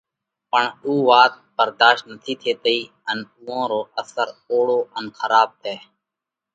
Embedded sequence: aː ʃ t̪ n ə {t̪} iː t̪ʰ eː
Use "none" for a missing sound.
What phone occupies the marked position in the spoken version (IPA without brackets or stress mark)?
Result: t̪ʰ